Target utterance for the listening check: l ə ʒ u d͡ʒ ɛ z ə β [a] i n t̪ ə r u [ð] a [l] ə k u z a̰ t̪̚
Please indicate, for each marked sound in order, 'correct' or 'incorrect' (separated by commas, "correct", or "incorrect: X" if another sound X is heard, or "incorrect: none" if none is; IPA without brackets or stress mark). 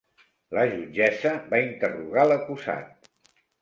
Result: correct, incorrect: ɣ, correct